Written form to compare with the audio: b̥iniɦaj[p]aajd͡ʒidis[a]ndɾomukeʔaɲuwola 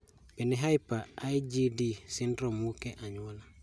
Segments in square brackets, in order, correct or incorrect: correct, incorrect: i

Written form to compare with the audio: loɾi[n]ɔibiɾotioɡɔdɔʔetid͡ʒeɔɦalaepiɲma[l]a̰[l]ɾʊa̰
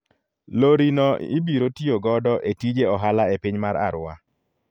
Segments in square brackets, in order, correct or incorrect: correct, incorrect: ɾ, incorrect: none

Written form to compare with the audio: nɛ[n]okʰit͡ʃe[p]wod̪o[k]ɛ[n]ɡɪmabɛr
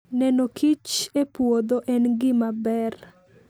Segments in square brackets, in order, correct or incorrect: correct, correct, incorrect: ʔ, correct

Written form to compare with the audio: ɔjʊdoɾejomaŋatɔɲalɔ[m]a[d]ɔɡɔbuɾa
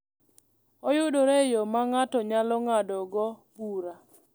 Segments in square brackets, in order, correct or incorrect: incorrect: ŋ, correct

